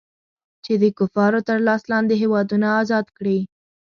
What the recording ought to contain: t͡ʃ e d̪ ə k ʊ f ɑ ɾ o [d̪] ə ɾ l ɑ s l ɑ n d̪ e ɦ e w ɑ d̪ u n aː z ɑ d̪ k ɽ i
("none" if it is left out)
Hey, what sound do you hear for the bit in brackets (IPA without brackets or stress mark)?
t̪